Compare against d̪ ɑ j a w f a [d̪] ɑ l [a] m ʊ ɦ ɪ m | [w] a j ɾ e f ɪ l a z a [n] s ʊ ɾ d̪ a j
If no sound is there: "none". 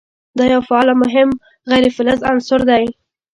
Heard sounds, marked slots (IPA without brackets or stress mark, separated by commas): none, a, ɣ, n